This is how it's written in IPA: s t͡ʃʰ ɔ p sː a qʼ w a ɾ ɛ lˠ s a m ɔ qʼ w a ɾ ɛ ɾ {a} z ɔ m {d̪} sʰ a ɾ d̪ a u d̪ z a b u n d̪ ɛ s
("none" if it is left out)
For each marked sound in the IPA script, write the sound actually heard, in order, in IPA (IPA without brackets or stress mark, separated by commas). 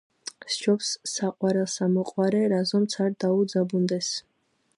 a, t̪